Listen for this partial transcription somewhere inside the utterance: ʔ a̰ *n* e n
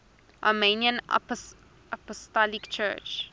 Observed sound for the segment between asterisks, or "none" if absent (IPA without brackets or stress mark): m